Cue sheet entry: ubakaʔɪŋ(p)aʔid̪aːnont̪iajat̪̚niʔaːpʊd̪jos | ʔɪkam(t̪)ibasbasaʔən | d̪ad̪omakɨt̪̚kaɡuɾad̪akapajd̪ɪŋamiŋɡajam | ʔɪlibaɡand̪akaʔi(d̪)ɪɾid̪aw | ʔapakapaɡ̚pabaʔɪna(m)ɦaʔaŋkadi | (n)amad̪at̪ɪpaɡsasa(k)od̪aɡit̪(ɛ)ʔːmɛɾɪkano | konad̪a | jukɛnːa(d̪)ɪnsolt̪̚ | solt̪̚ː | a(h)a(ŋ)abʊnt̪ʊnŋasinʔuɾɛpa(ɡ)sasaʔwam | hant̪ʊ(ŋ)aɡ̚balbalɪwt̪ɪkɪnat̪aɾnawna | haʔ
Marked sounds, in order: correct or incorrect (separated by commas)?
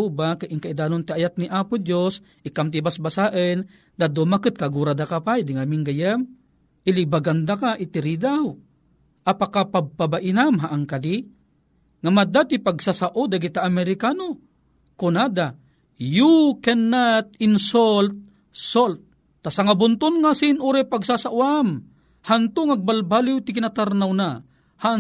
incorrect, correct, incorrect, correct, incorrect, incorrect, incorrect, incorrect, incorrect, correct, correct, correct